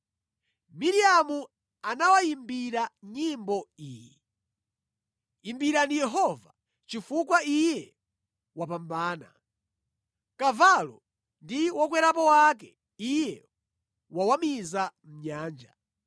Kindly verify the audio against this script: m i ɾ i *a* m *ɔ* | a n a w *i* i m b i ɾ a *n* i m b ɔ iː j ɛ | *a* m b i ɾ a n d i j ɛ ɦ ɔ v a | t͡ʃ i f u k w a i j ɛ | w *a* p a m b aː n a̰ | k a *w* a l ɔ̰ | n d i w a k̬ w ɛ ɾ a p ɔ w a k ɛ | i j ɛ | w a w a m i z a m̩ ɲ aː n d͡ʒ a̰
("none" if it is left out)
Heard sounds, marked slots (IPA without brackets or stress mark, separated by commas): a, u, a, ɲ, i, a, v